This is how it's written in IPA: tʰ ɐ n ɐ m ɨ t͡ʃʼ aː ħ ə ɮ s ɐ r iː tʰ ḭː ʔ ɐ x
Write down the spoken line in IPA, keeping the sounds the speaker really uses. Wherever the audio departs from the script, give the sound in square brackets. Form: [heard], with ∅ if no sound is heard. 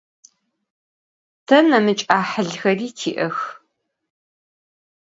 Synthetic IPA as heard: tʰ ɐ n ɐ m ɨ t͡ʃʼ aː ħ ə ɮ [x] ɐ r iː tʰ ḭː ʔ ɐ x